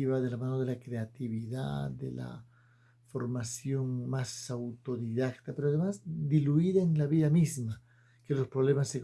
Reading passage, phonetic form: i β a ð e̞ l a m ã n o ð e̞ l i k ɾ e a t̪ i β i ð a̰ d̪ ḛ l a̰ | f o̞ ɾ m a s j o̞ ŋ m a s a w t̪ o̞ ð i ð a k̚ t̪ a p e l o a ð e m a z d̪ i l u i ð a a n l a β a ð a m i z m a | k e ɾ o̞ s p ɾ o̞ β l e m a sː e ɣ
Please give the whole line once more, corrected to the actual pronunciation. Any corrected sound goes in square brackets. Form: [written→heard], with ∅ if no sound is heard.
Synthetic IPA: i β a ð e̞ l a m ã n o ð e̞ l [i→a] k ɾ e a t̪ i β i ð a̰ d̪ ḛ l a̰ | f o̞ ɾ m a s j o̞ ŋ m a s a w t̪ o̞ ð i ð a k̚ t̪ a p e [l→ɾ] o a ð e m a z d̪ i l u i ð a [a→e] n l a β [a→i] ð a m i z m a | k e [ɾ→l] o̞ s p ɾ o̞ β l e m a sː e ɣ